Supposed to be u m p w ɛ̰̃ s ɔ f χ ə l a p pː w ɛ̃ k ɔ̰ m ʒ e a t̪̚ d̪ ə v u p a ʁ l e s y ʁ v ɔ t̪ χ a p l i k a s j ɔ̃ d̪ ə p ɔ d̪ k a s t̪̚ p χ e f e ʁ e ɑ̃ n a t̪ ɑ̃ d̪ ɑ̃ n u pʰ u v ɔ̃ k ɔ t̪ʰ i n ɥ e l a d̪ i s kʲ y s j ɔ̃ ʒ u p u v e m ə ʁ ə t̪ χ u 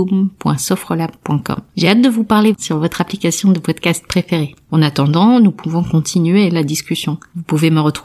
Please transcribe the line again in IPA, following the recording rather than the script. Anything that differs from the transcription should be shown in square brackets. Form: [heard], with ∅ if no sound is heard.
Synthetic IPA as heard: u m p w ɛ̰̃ s ɔ f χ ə l a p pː w ɛ̃ k ɔ̰ m ʒ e a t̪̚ d̪ ə v u p a ʁ l e s y ʁ v ɔ t̪ χ a p l i k a s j ɔ̃ d̪ ə p ɔ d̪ k a s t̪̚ p χ e f e ʁ e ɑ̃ n a t̪ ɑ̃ d̪ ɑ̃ n u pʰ u v ɔ̃ k [ɔ̃] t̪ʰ i n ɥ e l a d̪ i s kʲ y s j ɔ̃ [v] u p u v e m ə ʁ ə t̪ χ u